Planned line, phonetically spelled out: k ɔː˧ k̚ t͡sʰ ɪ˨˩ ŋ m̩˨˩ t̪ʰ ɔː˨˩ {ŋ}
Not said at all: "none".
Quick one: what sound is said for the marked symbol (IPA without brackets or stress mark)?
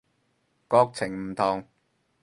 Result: ŋ